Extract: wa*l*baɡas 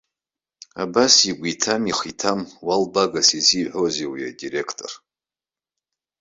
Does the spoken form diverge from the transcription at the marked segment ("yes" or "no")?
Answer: no